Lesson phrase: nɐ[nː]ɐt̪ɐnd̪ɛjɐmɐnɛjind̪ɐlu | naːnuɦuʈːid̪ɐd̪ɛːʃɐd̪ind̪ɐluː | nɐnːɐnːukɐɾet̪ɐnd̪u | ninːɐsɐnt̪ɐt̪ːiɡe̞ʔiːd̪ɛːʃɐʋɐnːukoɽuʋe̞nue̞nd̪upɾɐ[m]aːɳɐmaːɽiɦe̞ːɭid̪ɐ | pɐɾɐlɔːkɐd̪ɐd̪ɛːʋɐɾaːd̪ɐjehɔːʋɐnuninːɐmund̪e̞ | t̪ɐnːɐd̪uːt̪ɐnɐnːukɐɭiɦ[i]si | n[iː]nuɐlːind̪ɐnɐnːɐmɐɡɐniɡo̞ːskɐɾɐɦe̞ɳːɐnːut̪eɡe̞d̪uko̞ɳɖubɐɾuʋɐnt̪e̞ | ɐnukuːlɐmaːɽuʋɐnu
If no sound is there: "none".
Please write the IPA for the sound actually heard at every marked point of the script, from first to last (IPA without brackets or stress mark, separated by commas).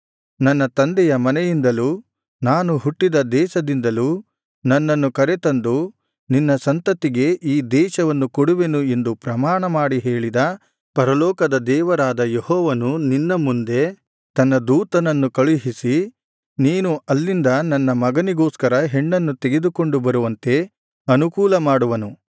nː, m, i, iː